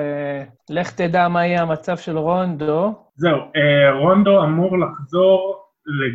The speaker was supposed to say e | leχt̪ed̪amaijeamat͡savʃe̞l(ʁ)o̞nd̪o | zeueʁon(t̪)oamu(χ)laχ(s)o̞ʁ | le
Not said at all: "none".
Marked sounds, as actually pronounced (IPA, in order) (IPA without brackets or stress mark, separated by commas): ʁ, d̪, ʁ, z